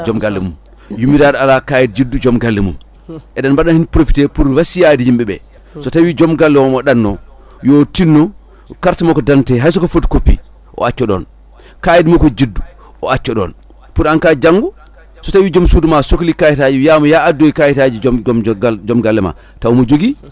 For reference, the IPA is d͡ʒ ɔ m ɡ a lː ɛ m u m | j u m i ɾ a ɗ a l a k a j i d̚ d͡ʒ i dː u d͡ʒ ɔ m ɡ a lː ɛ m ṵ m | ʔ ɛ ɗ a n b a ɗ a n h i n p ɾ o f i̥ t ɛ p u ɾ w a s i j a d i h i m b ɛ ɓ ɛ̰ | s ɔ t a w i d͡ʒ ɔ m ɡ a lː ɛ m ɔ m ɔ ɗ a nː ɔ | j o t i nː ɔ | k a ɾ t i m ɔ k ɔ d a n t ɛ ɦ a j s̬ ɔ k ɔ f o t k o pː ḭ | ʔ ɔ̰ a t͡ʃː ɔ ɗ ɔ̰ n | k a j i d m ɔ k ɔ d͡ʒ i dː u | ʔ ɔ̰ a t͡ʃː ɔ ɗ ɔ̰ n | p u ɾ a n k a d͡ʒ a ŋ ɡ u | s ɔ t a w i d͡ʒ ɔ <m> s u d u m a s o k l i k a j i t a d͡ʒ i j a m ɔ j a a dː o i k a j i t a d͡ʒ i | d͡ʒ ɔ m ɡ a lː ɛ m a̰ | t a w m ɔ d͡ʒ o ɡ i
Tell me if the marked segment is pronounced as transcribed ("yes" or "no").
yes